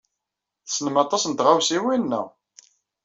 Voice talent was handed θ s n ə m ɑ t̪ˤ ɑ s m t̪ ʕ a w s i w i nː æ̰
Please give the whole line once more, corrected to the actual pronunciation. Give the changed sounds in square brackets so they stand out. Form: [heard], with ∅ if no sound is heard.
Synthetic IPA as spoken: θ s n ə m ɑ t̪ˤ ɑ s [n] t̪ [ʁ] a w s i w i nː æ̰